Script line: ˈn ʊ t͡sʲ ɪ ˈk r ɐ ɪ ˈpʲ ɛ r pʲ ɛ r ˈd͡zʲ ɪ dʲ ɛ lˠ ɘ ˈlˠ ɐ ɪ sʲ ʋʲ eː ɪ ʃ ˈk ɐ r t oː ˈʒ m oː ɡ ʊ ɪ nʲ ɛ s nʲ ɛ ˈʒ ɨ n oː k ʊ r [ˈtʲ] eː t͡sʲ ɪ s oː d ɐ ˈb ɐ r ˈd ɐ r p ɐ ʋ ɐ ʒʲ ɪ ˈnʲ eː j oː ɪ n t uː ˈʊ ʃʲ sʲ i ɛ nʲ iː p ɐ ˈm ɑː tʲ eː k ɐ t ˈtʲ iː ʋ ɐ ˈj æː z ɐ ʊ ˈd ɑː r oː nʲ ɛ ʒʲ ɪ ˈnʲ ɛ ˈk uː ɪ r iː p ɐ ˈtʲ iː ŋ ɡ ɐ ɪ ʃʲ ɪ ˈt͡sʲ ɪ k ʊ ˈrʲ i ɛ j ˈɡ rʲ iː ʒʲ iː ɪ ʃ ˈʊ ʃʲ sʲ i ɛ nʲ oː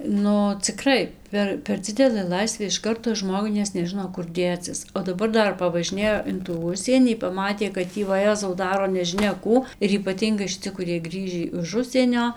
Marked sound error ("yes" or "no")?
yes